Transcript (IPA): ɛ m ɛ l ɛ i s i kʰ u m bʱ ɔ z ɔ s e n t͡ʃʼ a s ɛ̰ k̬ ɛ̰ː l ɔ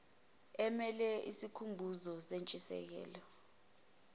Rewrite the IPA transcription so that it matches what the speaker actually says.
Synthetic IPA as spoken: ɛ m ɛ l ɛ i s i kʰ u m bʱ u z ɔ s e n t͡ʃʼ i s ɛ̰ k̬ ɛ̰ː l ɔ